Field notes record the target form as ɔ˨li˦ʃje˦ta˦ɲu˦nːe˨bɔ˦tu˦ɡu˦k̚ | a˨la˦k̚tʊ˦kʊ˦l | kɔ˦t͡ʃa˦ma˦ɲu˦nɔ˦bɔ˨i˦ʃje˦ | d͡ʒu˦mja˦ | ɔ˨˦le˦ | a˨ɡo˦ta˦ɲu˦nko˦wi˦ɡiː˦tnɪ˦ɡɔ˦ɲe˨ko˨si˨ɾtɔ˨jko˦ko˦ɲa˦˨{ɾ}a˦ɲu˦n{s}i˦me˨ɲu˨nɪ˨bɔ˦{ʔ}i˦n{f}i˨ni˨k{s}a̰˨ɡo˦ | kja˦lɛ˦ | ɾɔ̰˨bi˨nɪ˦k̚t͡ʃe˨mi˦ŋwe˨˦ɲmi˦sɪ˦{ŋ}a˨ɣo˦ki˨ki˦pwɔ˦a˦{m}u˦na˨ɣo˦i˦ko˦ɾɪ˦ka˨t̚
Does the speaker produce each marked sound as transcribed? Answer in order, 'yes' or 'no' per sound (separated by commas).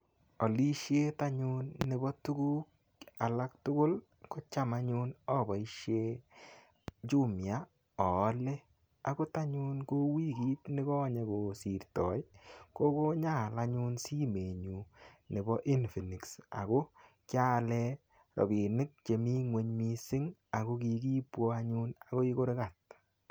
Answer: no, yes, yes, yes, yes, yes, no